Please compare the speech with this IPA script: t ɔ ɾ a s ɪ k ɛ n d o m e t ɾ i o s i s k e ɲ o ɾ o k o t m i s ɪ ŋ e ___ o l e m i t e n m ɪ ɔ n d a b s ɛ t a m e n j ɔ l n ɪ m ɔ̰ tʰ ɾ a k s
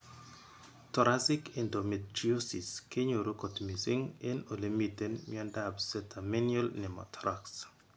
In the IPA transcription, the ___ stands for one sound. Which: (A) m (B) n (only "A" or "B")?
B